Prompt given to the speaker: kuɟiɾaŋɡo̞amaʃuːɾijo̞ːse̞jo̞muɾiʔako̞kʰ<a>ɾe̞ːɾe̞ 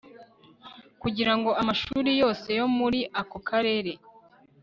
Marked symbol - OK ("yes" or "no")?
yes